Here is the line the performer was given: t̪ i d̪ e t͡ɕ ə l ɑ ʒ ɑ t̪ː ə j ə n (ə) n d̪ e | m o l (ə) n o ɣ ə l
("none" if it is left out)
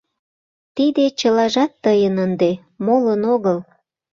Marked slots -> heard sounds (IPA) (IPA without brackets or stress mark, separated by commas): ə, ə